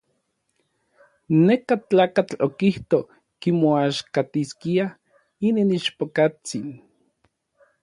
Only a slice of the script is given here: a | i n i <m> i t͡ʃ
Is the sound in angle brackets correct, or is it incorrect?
incorrect